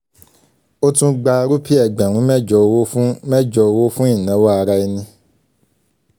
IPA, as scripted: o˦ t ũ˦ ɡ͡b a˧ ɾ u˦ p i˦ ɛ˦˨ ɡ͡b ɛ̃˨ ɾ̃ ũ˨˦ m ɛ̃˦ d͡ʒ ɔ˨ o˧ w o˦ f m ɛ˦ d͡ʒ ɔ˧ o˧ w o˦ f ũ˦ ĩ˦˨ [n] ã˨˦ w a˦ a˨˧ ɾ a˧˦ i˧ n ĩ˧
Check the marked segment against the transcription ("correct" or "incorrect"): correct